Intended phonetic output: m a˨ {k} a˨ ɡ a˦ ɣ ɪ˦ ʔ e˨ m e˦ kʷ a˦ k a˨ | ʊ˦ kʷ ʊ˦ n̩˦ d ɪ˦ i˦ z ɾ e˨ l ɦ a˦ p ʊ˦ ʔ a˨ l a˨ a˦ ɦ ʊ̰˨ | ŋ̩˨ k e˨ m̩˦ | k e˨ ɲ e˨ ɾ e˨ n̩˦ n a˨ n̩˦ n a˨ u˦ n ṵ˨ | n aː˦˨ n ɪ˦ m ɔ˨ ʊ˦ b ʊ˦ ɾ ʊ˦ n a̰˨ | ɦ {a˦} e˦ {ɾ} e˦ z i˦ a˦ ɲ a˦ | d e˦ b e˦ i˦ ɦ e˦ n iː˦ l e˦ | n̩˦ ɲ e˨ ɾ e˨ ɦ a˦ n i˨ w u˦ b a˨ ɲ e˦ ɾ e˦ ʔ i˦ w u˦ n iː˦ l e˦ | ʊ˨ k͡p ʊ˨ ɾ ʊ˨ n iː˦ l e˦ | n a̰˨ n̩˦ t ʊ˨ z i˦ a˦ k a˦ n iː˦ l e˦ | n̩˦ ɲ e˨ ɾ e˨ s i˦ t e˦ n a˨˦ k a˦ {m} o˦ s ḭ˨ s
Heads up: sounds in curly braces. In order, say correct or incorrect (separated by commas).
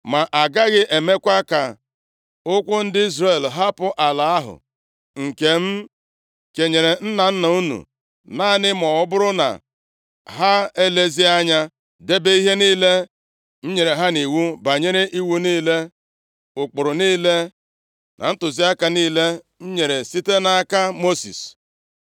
incorrect, correct, incorrect, correct